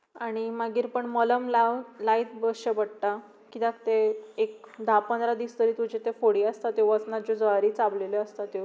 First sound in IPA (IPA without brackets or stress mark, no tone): a